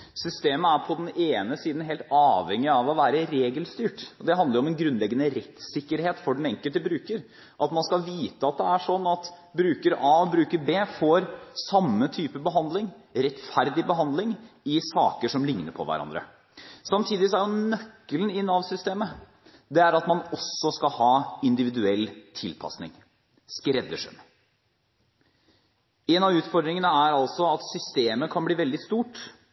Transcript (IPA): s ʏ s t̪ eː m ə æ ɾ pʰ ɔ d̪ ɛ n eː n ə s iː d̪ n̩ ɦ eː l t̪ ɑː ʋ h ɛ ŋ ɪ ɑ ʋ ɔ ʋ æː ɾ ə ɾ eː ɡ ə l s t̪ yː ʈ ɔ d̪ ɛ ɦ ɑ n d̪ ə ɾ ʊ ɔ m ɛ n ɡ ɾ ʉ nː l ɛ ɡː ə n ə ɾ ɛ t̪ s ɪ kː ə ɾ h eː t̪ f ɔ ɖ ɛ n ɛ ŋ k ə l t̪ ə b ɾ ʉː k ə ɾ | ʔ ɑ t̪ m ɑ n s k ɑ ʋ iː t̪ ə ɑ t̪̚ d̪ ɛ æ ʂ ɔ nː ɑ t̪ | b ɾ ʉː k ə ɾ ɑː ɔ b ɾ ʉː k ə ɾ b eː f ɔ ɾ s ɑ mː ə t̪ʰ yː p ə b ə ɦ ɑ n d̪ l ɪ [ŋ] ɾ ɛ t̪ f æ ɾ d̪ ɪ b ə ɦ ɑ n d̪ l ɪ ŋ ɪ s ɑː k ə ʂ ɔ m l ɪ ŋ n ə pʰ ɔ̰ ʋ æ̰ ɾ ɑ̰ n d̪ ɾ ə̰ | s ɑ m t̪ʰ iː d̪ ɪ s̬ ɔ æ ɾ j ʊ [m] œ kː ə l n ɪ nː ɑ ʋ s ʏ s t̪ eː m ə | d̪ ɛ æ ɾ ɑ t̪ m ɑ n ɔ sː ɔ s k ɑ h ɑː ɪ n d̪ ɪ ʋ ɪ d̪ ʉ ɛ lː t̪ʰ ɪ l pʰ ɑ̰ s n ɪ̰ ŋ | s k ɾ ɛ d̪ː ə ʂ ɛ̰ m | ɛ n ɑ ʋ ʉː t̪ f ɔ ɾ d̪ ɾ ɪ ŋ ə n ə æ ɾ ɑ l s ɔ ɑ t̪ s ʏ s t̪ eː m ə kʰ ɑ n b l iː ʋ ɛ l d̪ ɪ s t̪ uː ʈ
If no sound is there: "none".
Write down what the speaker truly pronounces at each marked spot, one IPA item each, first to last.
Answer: ŋ, n

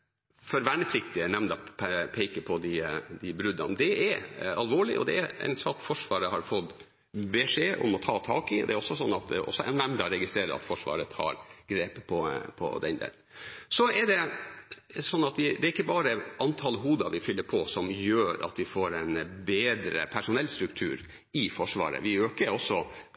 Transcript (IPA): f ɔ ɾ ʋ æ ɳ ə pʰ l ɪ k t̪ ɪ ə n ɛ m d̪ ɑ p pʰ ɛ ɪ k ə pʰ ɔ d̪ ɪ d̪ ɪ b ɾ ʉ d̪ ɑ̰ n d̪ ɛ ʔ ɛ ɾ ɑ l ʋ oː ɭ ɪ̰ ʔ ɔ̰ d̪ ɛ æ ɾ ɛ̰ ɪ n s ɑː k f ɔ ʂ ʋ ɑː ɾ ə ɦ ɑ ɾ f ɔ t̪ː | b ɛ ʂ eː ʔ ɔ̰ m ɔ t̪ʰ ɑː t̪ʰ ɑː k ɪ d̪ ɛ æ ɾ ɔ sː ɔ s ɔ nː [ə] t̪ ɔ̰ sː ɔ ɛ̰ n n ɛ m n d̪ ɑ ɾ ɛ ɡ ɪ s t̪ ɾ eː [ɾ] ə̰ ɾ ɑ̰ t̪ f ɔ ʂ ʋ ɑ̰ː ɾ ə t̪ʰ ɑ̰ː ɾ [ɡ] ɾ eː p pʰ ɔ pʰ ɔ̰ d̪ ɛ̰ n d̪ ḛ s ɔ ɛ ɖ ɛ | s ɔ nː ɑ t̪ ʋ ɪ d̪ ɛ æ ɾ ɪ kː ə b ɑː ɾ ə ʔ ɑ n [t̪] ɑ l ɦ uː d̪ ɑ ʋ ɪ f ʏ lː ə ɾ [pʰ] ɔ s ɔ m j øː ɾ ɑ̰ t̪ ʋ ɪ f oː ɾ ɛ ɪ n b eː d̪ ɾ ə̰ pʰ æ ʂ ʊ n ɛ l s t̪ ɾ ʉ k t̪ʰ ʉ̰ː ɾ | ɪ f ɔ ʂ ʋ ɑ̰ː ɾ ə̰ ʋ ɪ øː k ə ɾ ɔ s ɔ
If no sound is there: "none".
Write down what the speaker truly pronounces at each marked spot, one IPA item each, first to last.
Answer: ɑ, ɾ, ɡ, t̪ʰ, pʰ

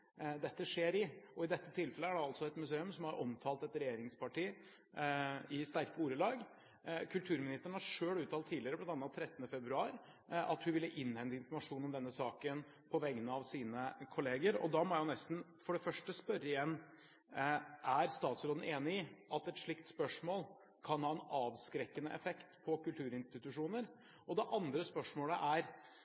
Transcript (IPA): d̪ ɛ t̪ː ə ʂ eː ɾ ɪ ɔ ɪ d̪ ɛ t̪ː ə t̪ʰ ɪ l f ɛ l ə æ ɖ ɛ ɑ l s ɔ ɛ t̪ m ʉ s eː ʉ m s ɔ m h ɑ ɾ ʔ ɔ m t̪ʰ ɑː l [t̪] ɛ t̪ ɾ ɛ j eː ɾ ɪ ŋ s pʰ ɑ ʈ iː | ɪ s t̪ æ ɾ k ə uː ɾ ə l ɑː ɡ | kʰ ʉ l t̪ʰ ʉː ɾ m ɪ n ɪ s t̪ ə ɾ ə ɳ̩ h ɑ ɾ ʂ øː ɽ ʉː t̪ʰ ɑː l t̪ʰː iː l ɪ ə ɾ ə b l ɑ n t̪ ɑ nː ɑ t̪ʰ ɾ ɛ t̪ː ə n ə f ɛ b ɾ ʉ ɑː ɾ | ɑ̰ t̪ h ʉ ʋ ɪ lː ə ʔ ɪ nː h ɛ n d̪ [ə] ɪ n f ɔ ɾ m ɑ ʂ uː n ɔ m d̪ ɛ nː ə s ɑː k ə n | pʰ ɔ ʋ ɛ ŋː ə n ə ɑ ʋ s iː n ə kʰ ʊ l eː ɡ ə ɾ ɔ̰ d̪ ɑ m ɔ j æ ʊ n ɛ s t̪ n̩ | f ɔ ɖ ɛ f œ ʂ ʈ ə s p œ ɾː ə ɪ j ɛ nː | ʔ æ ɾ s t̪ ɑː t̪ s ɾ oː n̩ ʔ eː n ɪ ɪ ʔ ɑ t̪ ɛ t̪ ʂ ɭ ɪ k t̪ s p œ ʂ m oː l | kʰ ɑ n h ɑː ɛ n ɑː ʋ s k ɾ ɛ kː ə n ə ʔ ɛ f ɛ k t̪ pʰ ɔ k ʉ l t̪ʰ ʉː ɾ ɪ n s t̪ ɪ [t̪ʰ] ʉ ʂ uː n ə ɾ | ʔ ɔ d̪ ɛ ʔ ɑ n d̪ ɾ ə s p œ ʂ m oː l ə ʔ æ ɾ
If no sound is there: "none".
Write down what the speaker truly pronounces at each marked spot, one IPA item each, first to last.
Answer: t̪, ə, t̪

